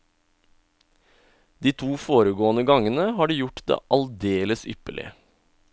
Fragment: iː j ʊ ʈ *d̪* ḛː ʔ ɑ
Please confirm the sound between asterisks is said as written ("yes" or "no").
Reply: yes